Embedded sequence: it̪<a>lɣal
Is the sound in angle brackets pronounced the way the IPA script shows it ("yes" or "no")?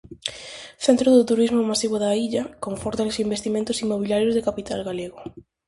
yes